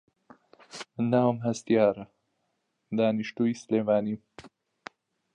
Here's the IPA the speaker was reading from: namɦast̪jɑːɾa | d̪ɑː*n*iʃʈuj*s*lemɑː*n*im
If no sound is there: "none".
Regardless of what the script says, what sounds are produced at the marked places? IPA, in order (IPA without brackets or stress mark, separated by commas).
n, s, n